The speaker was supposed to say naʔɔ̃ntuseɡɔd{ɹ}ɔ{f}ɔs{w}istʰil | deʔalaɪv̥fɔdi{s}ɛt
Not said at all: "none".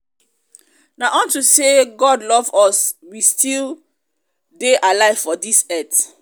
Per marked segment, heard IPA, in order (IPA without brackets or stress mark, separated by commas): l, v, w, s